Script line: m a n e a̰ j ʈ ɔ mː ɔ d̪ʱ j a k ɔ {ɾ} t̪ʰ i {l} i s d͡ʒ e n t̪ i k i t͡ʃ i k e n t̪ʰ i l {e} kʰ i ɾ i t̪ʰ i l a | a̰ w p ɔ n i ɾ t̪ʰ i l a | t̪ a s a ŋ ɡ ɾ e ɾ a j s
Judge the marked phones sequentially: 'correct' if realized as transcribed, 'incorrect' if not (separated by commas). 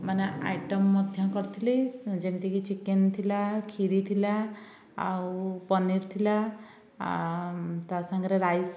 correct, correct, incorrect